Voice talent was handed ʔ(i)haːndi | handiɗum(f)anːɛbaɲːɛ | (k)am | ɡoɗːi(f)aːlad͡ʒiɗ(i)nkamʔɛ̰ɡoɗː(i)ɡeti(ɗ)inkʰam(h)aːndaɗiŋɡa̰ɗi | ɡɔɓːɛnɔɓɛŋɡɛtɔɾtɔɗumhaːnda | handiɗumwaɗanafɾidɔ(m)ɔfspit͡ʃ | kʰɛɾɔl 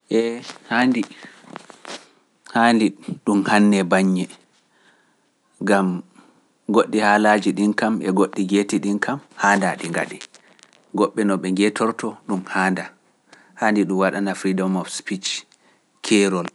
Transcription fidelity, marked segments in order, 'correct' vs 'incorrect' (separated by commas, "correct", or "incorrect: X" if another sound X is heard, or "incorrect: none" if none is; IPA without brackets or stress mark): incorrect: ɛ, incorrect: h, incorrect: ɡ, incorrect: h, correct, correct, correct, correct, correct